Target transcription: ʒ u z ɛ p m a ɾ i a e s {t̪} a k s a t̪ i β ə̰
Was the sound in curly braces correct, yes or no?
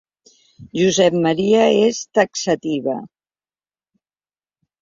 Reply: yes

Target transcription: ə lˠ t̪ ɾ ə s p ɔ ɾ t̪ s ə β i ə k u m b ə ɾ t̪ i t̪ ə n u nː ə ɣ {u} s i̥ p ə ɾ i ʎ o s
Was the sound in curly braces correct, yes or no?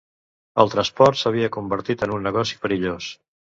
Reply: no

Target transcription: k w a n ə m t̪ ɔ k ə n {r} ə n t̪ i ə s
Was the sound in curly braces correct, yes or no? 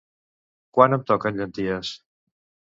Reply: no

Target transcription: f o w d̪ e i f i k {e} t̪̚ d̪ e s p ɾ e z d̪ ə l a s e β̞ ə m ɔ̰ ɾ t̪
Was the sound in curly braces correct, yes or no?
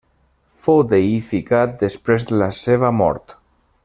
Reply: no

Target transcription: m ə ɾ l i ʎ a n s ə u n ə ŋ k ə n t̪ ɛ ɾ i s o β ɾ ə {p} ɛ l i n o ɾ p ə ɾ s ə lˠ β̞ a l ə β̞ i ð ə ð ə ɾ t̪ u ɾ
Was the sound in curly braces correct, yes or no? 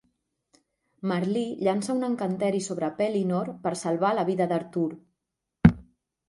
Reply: yes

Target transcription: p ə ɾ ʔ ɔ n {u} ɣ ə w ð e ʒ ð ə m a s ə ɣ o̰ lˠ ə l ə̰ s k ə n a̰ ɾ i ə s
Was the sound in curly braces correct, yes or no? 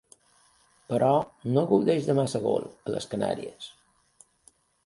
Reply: no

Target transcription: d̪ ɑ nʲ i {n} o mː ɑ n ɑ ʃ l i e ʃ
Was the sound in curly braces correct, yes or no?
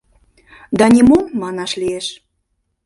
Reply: no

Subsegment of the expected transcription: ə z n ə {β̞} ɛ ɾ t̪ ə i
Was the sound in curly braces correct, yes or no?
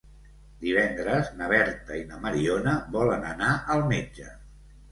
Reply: yes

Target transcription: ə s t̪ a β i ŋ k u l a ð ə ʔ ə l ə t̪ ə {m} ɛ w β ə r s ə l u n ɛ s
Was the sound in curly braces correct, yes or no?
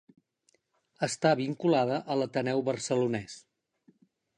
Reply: no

